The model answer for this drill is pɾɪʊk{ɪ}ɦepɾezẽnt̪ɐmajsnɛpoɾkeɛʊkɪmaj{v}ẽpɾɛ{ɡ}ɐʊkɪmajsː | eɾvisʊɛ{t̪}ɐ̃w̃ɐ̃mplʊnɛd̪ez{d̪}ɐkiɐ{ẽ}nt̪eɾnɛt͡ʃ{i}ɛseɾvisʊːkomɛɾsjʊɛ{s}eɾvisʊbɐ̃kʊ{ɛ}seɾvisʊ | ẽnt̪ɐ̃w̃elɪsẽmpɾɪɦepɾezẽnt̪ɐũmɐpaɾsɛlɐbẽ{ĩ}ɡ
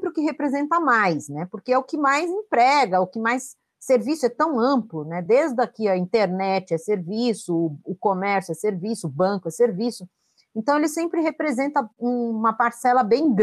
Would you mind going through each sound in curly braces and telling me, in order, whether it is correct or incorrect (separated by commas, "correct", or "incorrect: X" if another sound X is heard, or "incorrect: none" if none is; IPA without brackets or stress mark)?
correct, incorrect: z, correct, correct, correct, incorrect: ĩ, incorrect: ɪ, correct, correct, incorrect: j̃